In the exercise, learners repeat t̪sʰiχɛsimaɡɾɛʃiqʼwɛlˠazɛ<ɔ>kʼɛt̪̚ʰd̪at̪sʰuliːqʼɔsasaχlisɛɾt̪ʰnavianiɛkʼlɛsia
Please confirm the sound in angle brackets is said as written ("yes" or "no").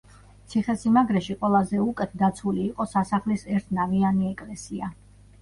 no